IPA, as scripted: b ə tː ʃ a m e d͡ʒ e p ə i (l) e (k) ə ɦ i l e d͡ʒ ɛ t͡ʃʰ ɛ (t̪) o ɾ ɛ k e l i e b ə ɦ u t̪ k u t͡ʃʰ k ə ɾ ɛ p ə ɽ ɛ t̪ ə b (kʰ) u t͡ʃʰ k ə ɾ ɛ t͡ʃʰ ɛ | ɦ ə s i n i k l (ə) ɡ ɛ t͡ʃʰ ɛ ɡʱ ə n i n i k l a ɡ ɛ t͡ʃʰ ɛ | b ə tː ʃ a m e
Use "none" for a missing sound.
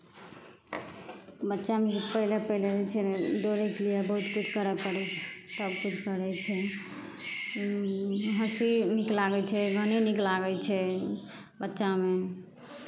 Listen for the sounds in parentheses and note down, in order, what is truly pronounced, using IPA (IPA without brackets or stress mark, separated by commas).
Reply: l, p, d̪, k, a